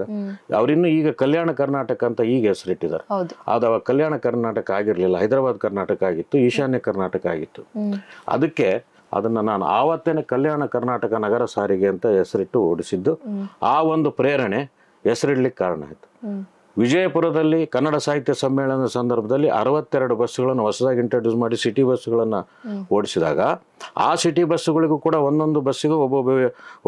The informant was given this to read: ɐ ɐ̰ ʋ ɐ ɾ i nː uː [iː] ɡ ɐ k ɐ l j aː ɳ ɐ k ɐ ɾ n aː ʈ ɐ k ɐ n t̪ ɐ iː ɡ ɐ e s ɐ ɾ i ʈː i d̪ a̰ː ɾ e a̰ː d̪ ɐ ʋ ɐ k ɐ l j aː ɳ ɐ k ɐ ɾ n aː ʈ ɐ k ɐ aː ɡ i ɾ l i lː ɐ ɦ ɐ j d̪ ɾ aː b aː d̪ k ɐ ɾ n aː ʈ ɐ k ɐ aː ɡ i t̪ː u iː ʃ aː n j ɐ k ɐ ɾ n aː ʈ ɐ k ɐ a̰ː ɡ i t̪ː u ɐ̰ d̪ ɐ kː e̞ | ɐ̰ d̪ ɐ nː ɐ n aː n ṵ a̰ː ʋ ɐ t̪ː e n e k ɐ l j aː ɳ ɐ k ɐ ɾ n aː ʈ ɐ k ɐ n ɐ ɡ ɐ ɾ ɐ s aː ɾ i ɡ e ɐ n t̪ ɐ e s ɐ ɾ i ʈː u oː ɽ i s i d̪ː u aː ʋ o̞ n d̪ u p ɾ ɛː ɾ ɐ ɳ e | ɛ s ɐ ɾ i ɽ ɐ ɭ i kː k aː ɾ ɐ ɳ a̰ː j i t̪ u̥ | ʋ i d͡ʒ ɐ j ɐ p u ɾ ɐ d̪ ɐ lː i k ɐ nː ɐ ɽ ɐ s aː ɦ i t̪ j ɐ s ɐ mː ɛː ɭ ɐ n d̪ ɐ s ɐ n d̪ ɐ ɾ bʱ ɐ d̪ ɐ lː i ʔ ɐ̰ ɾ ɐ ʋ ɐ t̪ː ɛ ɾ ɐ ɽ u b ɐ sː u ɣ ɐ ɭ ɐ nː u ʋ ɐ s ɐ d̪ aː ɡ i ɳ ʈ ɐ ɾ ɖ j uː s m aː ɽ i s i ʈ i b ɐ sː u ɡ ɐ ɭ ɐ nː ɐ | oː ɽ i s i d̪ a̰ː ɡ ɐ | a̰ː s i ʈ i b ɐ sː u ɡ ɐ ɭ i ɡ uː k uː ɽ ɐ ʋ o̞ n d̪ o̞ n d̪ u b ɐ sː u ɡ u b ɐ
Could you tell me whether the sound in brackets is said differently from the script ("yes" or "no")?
no